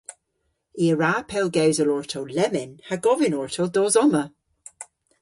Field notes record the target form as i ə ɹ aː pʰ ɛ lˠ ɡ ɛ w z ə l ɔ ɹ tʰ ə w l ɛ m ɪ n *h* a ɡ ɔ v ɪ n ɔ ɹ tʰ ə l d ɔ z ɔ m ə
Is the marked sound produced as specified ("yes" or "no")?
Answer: yes